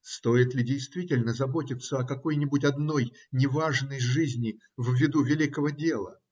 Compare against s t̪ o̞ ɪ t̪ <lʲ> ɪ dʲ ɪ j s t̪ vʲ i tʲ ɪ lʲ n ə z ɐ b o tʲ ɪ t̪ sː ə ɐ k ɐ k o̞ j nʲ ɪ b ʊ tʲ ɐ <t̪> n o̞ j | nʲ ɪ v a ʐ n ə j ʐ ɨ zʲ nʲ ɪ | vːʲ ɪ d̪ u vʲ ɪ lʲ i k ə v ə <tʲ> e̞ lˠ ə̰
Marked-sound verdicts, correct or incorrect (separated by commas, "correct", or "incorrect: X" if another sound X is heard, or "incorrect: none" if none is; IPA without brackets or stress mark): correct, incorrect: d̪, incorrect: dʲ